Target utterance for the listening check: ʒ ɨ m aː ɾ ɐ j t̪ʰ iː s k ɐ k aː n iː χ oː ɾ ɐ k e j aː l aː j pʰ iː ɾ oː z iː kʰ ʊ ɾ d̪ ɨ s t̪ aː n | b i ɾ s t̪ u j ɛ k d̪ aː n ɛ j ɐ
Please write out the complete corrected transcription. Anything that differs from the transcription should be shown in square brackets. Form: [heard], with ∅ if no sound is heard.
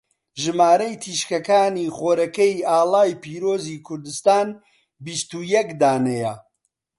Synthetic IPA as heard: ʒ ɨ m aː ɾ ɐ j t̪ʰ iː [ʃ] k ɐ k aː n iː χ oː ɾ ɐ k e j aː l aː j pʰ iː ɾ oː z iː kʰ ʊ ɾ d̪ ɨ s t̪ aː n | b i [∅] s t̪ u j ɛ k d̪ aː n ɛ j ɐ